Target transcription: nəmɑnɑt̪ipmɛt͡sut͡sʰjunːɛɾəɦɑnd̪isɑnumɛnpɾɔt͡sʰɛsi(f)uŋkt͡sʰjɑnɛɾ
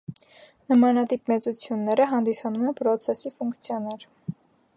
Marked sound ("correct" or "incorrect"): correct